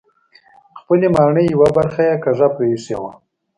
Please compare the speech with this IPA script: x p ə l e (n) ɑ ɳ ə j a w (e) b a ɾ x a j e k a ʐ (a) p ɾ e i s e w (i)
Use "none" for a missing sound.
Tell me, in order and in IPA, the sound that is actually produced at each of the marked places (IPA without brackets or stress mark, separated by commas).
m, a, a, a